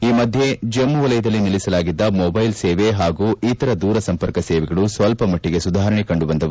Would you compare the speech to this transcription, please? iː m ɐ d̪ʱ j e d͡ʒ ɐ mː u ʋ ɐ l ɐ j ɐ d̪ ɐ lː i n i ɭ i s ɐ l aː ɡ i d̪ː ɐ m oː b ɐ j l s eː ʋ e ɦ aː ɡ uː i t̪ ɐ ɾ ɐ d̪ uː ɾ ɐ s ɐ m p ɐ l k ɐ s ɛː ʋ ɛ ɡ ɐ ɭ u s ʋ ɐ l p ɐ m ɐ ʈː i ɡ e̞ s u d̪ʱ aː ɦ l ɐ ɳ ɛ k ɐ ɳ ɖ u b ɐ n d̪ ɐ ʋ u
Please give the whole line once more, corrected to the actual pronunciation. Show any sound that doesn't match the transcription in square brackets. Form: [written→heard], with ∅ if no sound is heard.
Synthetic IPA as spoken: iː m ɐ d̪ʱ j e d͡ʒ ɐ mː u ʋ ɐ l ɐ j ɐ d̪ ɐ lː i n i ɭ i s ɐ l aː ɡ i d̪ː ɐ m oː b ɐ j l s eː ʋ e ɦ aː ɡ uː i t̪ ɐ ɾ ɐ d̪ uː ɾ ɐ s ɐ m p ɐ [l→ɾ] k ɐ s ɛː ʋ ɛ ɡ ɐ ɭ u s ʋ ɐ l p ɐ m ɐ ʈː i ɡ e̞ s u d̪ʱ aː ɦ [l→ɾ] ɐ ɳ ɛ k ɐ ɳ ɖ u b ɐ n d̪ ɐ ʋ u